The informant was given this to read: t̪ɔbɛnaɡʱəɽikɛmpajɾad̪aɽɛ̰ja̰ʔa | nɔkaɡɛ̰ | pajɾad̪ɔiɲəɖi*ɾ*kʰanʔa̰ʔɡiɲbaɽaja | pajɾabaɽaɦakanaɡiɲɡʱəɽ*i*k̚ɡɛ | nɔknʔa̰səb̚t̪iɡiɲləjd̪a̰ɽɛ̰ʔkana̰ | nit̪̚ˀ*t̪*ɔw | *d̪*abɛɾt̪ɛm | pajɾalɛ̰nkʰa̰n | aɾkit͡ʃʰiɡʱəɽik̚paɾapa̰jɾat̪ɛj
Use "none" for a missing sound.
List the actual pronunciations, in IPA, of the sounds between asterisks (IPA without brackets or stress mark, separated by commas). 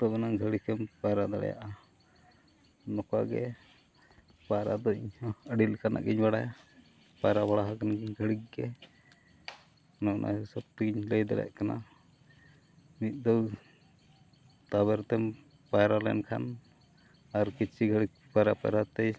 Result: l, i, d̪, t̪